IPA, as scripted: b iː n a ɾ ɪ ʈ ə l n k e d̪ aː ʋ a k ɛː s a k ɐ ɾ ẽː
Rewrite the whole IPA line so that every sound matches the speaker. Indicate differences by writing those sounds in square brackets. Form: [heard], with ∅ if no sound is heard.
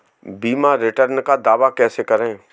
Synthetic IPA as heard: b iː [m] a ɾ ɪ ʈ ə [ɾ] n k [a] d̪ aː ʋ a k ɛː s [e] k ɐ ɾ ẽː

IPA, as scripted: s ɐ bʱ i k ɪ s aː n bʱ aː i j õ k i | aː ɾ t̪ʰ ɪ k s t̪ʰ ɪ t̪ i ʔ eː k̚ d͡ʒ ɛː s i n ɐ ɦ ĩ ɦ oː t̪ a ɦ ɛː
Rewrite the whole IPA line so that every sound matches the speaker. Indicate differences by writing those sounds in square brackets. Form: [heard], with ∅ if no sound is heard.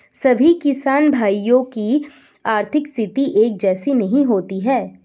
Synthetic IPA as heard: s ɐ bʱ i k ɪ s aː n bʱ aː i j õ k i | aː ɾ t̪ʰ ɪ k s t̪ʰ ɪ t̪ i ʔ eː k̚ d͡ʒ ɛː s i n ɐ ɦ ĩ ɦ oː t̪ [i] ɦ ɛː

